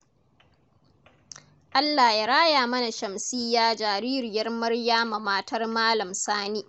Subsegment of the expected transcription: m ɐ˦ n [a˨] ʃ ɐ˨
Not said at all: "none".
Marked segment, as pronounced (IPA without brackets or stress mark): a˨